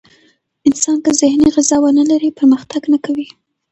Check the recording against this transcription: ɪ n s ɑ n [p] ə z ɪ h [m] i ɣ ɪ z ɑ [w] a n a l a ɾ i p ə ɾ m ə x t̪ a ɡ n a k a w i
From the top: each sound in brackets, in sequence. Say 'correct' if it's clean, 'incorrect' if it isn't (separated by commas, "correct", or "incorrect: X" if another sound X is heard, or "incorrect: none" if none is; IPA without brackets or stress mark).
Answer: incorrect: k, incorrect: n, correct